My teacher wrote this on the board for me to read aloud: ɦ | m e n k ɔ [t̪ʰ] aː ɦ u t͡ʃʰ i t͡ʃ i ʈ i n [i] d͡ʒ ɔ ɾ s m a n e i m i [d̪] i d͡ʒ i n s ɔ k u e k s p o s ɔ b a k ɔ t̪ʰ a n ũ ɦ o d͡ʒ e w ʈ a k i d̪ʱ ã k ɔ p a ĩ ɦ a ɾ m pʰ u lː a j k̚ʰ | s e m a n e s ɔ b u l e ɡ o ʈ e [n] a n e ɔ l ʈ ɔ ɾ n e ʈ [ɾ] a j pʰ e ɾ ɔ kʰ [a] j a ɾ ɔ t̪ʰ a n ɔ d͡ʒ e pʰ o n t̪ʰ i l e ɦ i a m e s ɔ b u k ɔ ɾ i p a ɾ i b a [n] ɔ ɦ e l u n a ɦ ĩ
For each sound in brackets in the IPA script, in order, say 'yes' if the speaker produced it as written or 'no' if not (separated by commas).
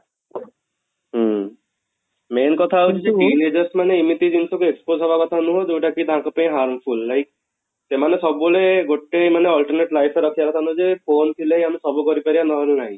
yes, no, no, no, no, no, yes